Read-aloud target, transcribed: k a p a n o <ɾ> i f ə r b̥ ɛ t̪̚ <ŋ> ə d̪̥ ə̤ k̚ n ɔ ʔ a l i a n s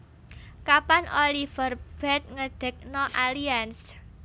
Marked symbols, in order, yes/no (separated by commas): no, yes